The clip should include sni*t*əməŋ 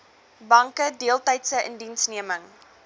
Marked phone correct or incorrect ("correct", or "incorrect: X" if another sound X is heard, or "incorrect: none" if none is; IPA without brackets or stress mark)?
incorrect: none